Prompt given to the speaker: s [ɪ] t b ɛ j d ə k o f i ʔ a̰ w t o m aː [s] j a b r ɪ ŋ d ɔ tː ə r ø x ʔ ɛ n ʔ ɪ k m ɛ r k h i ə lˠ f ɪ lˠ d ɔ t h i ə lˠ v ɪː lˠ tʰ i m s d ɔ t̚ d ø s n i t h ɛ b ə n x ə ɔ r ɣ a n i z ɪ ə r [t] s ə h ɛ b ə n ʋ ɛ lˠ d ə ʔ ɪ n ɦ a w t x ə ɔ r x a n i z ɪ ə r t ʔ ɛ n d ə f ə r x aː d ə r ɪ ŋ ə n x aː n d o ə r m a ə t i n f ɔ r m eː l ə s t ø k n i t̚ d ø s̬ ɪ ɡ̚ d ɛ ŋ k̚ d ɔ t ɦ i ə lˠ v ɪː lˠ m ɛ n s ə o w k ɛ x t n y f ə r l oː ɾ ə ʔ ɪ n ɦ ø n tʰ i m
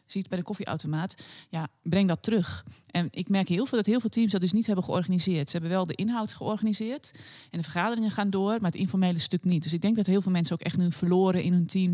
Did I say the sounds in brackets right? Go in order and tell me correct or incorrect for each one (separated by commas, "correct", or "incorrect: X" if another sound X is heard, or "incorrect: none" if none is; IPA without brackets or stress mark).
incorrect: i, incorrect: t, correct